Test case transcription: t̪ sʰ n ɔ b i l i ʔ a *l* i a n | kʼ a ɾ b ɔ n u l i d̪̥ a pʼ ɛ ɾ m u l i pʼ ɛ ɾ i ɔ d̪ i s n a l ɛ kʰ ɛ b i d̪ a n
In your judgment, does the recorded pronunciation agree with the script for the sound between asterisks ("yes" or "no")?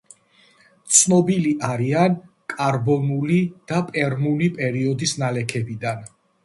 no